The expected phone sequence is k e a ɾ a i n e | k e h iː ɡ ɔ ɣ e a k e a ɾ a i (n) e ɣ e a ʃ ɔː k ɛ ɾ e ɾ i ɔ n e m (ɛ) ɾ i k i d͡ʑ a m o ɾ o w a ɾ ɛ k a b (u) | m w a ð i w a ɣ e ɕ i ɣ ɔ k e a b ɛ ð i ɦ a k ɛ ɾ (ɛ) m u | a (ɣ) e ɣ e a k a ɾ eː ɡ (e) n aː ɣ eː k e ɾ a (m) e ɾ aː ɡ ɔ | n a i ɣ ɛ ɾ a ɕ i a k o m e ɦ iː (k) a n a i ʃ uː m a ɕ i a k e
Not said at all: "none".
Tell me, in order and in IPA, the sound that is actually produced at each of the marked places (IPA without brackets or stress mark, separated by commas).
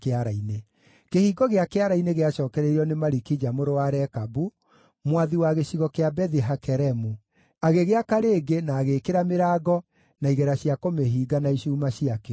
n, a, u, ɛ, ɣ, e, m, ɡ